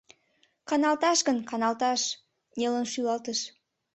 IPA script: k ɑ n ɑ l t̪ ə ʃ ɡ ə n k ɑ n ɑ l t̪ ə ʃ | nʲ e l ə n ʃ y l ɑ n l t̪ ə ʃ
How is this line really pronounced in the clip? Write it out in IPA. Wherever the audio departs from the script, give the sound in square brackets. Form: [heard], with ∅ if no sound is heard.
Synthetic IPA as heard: k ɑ n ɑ l t̪ [ɑ] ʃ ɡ ə n k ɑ n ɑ l t̪ [ɑ] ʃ | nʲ e l ə n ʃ y l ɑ [∅] l t̪ ə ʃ